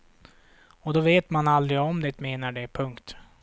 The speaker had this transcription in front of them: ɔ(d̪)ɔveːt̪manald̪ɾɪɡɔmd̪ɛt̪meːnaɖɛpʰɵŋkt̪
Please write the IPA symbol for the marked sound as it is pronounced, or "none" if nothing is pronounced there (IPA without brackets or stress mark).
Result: d̪